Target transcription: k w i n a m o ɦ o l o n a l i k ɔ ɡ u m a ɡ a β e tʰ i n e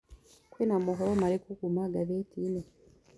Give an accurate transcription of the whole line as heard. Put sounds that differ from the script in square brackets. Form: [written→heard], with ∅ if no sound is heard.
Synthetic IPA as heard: k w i n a m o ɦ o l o [n→m] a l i k [ɔ→u] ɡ u m a ɡ a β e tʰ i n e